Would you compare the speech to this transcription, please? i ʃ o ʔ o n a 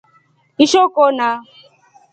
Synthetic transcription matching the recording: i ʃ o k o n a